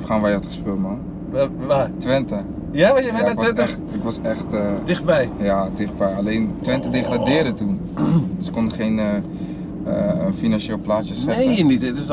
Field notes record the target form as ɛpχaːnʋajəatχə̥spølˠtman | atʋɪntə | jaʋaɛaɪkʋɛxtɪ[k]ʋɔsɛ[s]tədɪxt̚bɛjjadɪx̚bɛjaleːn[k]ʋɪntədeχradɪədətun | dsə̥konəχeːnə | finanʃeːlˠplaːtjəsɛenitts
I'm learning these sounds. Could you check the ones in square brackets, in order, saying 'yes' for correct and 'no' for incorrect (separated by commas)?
yes, no, no